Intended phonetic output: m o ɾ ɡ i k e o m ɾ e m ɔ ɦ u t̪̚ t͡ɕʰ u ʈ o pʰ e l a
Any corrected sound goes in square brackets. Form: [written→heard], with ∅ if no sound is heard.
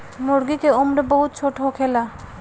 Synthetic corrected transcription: m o ɾ ɡ i k e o m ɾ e [m→b] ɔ ɦ u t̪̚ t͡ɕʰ [u→o] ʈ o [pʰ→kʰ] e l a